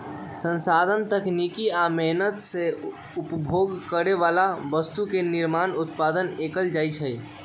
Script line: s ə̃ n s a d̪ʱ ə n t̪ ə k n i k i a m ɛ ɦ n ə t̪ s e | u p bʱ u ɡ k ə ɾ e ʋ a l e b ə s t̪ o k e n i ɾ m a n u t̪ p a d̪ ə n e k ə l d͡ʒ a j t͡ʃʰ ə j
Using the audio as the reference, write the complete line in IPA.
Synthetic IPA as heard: s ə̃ n s a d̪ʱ ə n t̪ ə k n i k i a m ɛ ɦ n ə t̪ s e | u p bʱ o ɡ k ə ɾ e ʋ a l a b ə s t̪ u k e n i ɾ m a n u t̪ p a d̪ ə n e k ə l d͡ʒ a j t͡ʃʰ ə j